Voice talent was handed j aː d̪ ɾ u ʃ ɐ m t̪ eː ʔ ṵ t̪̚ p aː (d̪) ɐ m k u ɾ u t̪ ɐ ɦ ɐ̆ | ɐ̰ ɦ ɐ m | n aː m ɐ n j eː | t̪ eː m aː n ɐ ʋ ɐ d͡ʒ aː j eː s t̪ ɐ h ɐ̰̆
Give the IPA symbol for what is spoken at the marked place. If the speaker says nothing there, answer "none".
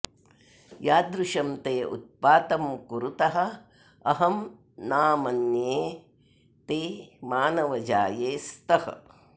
t̪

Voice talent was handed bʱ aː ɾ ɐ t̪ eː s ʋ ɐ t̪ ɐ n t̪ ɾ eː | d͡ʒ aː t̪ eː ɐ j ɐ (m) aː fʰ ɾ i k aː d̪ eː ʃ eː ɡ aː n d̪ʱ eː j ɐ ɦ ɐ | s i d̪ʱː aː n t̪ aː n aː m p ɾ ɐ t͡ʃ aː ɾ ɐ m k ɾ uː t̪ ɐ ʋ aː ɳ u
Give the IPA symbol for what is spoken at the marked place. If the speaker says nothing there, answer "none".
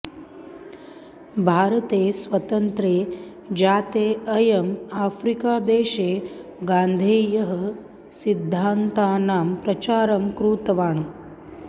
m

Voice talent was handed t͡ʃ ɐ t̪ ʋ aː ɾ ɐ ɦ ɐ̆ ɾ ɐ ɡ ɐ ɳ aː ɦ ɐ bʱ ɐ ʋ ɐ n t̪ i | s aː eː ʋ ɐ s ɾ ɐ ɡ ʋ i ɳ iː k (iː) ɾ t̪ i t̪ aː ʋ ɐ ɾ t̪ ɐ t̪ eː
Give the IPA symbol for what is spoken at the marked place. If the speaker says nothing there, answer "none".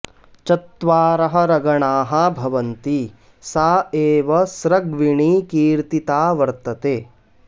iː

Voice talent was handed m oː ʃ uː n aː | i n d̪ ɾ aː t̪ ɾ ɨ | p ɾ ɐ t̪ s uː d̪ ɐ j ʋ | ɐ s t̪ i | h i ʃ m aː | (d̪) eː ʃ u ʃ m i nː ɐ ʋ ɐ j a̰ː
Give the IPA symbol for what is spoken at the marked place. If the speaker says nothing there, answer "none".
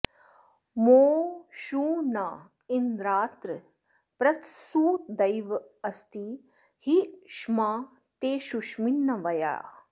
t̪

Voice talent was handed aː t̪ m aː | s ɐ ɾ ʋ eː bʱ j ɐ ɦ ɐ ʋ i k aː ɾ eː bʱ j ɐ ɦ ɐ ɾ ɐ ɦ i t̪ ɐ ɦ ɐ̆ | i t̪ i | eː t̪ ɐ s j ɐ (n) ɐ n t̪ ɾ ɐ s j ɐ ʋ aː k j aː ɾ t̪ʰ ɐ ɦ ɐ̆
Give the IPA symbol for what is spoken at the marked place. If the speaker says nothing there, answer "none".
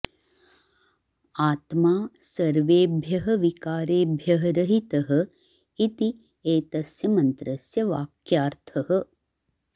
m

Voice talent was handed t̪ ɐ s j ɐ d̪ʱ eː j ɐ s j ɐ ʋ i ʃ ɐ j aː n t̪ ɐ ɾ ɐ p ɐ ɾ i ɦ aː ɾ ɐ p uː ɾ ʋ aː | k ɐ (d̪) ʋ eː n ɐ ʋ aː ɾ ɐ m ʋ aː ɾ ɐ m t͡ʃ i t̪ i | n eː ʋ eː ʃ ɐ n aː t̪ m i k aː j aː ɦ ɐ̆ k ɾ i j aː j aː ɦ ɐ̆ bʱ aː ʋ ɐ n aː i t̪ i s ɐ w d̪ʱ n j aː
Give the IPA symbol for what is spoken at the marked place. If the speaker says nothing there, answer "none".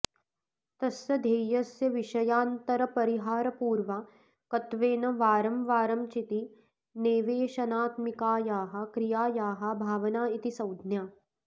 t̪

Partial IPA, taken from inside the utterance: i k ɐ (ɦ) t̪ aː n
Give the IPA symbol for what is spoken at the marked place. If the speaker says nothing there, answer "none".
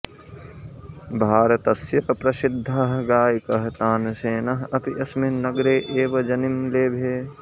ɦ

